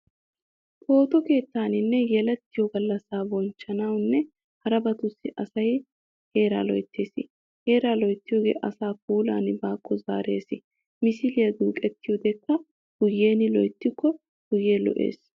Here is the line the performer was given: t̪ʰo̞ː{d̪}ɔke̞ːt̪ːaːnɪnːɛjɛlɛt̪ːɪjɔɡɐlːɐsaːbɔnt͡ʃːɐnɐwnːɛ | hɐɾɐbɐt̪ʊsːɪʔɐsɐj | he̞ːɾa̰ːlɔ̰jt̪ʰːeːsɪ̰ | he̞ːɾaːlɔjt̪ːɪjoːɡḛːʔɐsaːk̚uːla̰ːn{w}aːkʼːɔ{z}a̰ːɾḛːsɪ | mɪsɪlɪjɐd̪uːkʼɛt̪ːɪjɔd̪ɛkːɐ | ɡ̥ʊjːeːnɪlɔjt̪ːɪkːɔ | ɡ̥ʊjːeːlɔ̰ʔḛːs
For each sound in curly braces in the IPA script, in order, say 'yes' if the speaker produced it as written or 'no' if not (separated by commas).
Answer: no, no, yes